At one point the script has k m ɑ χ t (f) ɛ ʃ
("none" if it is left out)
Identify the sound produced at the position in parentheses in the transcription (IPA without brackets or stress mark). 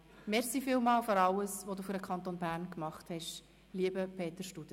h